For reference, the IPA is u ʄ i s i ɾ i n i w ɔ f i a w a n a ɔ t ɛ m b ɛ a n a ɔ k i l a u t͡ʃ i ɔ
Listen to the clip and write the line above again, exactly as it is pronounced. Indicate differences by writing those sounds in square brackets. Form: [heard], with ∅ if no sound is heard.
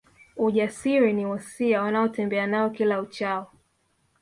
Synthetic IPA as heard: u ʄ [a] s i ɾ i n i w ɔ [s] i a w a n a ɔ t ɛ m b ɛ a n a ɔ k i l a u t͡ʃ [a] ɔ